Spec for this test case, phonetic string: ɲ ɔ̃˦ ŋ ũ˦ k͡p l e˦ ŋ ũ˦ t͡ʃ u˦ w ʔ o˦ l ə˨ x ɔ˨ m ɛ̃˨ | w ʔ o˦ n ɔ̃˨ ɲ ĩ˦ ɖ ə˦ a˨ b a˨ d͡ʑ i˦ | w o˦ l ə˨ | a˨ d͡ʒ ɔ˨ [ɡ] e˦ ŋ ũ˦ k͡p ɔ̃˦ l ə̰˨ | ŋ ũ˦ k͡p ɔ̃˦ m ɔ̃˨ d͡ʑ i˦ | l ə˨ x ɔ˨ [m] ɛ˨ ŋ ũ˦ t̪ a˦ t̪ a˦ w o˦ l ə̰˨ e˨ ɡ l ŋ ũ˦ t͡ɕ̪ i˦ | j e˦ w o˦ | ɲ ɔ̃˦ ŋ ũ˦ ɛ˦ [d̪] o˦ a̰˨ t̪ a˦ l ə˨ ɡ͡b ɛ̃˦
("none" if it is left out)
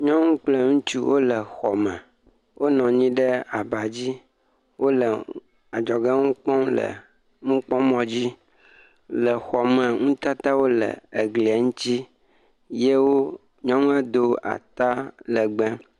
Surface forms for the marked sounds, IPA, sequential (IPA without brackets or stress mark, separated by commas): ɡ, m, d̪